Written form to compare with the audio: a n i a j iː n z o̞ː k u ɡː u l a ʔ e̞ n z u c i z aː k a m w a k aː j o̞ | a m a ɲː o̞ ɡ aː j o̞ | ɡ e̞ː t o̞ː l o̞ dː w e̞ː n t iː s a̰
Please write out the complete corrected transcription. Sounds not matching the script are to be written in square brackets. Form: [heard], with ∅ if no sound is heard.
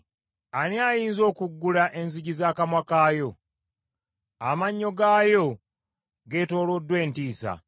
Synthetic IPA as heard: a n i a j iː n z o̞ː k u ɡː u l a ʔ e̞ n z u [ɟ] i z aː k a m w a k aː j o̞ | a m a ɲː o̞ ɡ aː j o̞ | ɡ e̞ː t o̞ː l o̞ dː w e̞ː n t iː s a̰

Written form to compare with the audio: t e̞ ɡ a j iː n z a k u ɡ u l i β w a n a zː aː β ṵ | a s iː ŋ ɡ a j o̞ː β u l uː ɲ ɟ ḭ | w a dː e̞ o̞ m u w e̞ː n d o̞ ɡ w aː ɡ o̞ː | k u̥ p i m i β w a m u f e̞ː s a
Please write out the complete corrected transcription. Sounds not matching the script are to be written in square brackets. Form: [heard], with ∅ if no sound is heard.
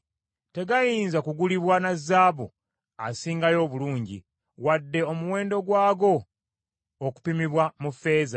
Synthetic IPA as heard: t e̞ ɡ a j iː n z a k u ɡ u l i β w a n a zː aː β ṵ | a s iː ŋ ɡ a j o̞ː β u l uː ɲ ɟ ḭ | w a dː e̞ o̞ m u w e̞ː n d o̞ ɡ w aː ɡ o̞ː | k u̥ p i m i β w a m u f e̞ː [z] a

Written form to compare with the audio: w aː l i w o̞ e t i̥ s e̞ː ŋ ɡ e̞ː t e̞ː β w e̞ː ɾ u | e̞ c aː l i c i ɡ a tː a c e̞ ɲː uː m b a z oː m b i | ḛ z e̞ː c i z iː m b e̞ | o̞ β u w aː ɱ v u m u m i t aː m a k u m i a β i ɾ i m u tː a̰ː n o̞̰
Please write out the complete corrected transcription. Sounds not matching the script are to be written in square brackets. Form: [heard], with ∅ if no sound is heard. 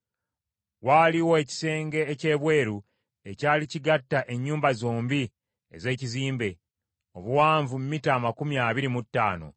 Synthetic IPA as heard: w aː l i w o̞ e [c] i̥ s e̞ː ŋ ɡ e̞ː [c] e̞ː β w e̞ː ɾ u | e̞ c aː l i c i ɡ a tː a [ʔ] e̞ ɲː uː m b a z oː m b i | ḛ z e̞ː c i z iː m b e̞ | o̞ β u w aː ɱ v u m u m i t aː m a k u m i a β i ɾ i m u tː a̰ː n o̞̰

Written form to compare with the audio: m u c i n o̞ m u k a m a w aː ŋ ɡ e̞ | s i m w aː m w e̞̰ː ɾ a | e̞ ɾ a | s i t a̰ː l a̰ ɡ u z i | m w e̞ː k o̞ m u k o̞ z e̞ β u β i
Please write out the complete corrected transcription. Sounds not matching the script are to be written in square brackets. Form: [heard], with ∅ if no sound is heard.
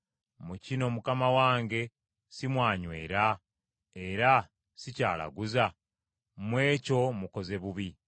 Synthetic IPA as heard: m u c i n o̞ m u k a m a w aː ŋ ɡ e̞ | s i m w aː [ɲ] w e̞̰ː ɾ a | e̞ ɾ a | s i [c] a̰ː l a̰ ɡ u z [a] | m w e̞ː [c] o̞ m u k o̞ z e̞ β u β i

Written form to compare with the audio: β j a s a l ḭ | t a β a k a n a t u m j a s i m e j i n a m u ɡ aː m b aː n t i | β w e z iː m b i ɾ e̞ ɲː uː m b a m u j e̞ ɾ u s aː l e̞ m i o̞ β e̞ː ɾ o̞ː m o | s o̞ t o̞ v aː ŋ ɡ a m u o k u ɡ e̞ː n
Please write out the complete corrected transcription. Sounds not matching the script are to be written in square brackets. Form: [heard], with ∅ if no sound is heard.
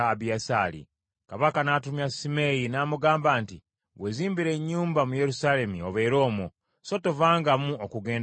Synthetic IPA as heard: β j a s a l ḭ | [k] a β a k a n a t u m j a s i m e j i n a m u ɡ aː m b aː n t i | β w e z iː m b i ɾ e̞ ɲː uː m b a m u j e̞ ɾ u s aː l e̞ m i o̞ β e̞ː ɾ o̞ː m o | s o̞ t o̞ v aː ŋ ɡ a m u o k u ɡ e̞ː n

